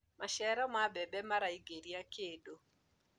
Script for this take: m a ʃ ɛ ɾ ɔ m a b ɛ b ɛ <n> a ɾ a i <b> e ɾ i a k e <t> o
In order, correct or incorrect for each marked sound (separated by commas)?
incorrect, incorrect, incorrect